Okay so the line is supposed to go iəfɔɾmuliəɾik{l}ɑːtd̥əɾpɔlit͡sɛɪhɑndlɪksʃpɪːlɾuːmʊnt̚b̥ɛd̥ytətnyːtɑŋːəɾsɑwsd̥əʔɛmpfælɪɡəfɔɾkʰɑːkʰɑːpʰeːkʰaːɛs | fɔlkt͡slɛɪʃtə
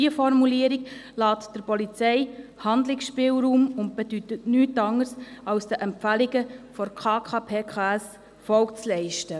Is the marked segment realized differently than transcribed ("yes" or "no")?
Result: no